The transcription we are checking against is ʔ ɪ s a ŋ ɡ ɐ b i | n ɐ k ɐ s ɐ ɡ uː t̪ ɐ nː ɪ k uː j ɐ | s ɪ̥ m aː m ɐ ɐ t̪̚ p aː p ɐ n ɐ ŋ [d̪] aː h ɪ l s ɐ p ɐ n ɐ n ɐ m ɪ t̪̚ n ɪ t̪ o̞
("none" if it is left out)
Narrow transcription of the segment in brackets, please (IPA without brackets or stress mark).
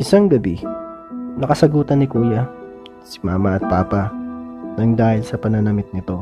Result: d̪